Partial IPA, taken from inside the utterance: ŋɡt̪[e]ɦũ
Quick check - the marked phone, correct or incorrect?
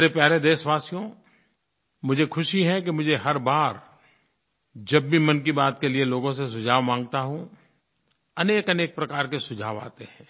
incorrect